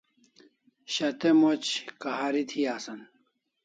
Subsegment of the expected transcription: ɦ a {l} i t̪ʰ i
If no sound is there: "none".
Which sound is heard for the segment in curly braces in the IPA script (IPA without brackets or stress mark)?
ɾ